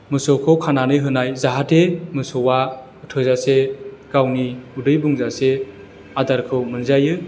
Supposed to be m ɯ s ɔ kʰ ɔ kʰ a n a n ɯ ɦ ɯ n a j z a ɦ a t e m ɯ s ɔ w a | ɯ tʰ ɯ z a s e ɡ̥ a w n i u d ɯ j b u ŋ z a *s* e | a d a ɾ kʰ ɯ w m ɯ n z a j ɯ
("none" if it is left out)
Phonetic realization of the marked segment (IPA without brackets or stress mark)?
s